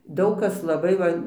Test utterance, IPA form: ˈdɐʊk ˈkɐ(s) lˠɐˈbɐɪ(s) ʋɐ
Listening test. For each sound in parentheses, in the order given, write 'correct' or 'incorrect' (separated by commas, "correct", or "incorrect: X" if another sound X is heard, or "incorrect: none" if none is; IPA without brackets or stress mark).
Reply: correct, incorrect: none